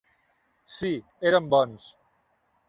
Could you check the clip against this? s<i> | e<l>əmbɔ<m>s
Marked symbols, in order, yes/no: yes, no, no

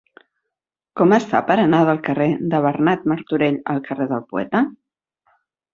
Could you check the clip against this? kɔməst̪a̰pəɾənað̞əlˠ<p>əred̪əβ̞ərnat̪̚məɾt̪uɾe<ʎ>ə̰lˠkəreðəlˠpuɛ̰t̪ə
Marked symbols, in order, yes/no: no, yes

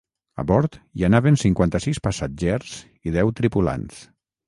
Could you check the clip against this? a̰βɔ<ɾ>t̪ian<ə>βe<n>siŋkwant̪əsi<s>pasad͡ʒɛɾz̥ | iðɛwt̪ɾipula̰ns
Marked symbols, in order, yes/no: yes, no, yes, yes

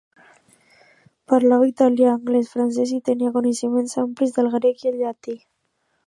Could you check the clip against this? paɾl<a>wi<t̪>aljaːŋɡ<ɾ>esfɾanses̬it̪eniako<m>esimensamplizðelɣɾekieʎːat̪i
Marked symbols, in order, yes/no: yes, yes, no, no

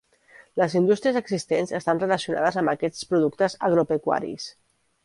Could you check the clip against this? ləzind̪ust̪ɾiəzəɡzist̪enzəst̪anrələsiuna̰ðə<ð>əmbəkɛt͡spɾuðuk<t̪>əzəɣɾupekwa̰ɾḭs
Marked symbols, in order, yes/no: no, yes

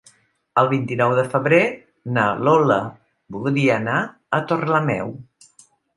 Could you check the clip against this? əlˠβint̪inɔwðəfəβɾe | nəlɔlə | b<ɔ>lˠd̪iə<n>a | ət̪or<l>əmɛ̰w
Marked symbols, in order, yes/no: no, yes, yes

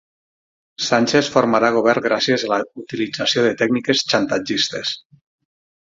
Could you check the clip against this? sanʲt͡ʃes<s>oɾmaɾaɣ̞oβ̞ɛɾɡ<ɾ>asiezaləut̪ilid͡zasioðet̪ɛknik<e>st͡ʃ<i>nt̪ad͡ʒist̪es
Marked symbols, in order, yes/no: no, yes, yes, no

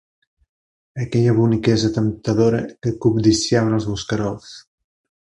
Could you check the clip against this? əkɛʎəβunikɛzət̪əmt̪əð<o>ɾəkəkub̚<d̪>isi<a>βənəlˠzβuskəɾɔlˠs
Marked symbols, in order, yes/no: yes, yes, yes

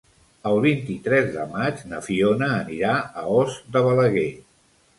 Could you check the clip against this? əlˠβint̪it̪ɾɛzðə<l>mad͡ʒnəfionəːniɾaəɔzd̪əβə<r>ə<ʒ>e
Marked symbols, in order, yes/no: no, no, no

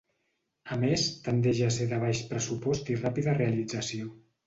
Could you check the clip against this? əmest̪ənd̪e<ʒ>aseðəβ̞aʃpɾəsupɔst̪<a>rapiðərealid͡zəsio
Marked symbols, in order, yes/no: yes, no

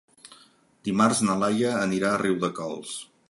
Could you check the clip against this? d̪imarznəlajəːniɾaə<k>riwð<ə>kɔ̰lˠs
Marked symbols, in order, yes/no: no, yes

